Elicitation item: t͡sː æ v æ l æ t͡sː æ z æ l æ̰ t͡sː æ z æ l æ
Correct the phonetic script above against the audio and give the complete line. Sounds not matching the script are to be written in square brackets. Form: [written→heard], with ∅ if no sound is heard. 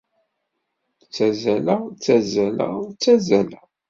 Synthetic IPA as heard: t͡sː æ [v→z] æ l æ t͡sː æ z æ l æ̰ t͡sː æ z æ l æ